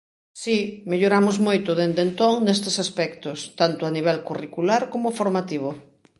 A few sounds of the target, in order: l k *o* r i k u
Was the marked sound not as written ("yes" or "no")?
yes